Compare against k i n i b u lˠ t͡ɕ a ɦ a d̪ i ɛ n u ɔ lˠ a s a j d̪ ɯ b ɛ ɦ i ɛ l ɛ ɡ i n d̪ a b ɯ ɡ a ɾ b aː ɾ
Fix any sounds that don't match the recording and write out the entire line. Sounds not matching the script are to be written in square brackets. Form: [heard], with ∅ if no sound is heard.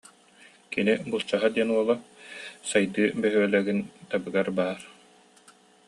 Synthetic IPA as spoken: k i n i b u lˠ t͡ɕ a ɦ a d̪ i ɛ n u ɔ lˠ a s a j d̪ [ɯː] b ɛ ɦ [y] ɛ l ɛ ɡ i n [t̪] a b ɯ ɡ a ɾ b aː ɾ

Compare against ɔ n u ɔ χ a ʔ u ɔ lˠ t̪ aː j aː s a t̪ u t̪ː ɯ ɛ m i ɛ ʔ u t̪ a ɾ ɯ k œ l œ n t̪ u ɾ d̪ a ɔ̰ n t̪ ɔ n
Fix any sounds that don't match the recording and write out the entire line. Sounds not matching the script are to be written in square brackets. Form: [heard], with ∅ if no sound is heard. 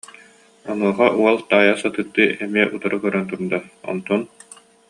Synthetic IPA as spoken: ɔ n u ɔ χ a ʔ u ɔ lˠ t̪ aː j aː s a t̪ [ɯ] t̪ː ɯ ɛ m i ɛ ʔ u t̪ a ɾ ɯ k œ [ɾ] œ n t̪ u ɾ d̪ a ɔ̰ n t̪ ɔ n

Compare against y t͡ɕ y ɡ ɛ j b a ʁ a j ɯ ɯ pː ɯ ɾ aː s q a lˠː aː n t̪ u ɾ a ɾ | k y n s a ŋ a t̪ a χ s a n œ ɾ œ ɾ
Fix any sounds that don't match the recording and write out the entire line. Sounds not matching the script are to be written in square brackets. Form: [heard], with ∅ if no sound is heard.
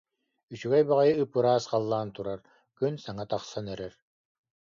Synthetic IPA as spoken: y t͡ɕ y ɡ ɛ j b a ʁ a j ɯ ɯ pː ɯ ɾ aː s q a lˠː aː n t̪ u ɾ a ɾ | k y n s a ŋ a t̪ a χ s a n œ ɾ [ɛ] ɾ

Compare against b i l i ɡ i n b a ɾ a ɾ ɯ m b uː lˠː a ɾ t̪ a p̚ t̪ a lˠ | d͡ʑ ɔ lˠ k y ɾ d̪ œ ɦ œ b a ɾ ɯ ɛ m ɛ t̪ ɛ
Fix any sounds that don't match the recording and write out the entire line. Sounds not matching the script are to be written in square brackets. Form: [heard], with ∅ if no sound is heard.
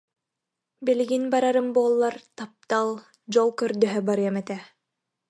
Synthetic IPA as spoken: b i l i ɡ i n b a ɾ a ɾ ɯ m b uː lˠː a ɾ t̪ a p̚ t̪ a lˠ | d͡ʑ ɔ lˠ k [œ] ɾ d̪ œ ɦ œ b a ɾ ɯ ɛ m ɛ t̪ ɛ

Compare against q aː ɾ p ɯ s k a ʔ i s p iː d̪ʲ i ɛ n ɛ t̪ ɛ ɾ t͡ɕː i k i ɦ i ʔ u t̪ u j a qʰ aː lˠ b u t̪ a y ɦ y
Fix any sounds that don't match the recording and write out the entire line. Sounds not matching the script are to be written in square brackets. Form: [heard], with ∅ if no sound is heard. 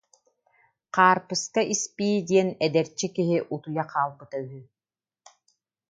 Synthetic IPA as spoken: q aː ɾ p ɯ s k a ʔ i s p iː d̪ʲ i ɛ n ɛ [d̪] ɛ ɾ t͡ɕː i k i ɦ i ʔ u t̪ u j a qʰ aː lˠ b [ɯ] t̪ a y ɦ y

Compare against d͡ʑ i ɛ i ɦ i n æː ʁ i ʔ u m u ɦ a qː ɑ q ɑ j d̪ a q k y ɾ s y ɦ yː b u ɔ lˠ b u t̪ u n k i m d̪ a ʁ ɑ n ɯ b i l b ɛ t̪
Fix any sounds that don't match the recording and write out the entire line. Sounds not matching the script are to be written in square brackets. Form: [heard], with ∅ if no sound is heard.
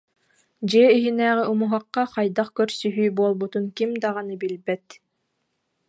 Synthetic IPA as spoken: d͡ʑ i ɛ i ɦ i n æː ʁ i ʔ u m u ɦ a qː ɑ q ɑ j d̪ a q k [œ] ɾ s y ɦ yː b u ɔ lˠ b u t̪ u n k i m d̪ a ʁ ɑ n ɯ b i l b ɛ t̪

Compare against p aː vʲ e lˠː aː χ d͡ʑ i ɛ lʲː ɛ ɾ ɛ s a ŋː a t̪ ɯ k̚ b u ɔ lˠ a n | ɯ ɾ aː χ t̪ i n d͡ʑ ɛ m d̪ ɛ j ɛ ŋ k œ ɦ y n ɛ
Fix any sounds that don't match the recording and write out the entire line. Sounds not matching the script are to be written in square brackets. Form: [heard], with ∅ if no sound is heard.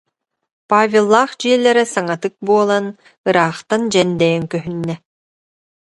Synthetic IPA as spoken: p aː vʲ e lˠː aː χ d͡ʑ i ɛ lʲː ɛ ɾ ɛ s a [ŋ] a t̪ ɯ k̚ b u ɔ lˠ a n | ɯ ɾ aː χ t̪ [a] n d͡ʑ ɛ [n] d̪ ɛ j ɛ ŋ k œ ɦ y [nː] ɛ

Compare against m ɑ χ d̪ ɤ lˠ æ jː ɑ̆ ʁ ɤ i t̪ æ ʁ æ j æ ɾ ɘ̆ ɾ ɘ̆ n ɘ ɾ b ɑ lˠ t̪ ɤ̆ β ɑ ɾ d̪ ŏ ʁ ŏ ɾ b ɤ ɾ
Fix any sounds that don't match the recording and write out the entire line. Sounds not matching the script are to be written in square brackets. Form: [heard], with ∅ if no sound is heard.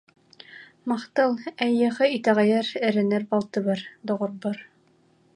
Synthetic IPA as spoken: m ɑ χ [t̪] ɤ lˠ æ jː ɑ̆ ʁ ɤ i t̪ æ ʁ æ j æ ɾ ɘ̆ ɾ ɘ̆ n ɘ ɾ b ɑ lˠ t̪ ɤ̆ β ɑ ɾ d̪ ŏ ʁ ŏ ɾ b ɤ ɾ

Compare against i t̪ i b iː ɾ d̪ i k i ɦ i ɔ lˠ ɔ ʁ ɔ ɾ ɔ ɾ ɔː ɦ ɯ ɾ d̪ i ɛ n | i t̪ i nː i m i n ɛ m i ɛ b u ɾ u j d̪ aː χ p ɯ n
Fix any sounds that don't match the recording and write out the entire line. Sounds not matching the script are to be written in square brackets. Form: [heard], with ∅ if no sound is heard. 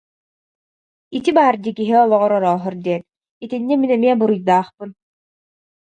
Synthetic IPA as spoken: i t̪ i b [aː] ɾ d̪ i k i ɦ i ɔ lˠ ɔ ʁ ɔ ɾ ɔ ɾ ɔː ɦ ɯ ɾ d̪ i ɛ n | i t̪ i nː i m i n ɛ m i ɛ b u ɾ u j d̪ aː χ p ɯ n

